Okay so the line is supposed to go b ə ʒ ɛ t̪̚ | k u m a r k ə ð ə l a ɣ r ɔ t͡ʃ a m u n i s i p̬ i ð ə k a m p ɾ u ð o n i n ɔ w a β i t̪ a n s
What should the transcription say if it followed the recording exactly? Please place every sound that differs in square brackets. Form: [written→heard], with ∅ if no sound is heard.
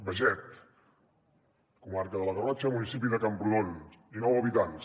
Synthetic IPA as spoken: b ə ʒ ɛ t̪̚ | k u m a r k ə ð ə l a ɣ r ɔ t͡ʃ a m u n i s i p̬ i ð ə k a m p ɾ u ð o n i n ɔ w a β i t̪ a n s